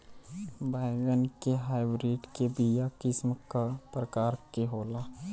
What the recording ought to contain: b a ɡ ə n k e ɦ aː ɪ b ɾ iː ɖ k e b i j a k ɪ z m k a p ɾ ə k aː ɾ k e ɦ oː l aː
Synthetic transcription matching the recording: b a ɡ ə n k e ɦ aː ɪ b ɾ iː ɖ k e b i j a k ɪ s m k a p ɾ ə k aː ɾ k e ɦ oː l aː